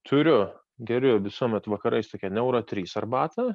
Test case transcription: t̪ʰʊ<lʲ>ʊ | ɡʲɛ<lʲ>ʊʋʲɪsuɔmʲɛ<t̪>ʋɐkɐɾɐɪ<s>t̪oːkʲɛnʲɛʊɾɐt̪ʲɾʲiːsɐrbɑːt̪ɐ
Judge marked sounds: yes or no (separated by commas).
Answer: no, no, yes, yes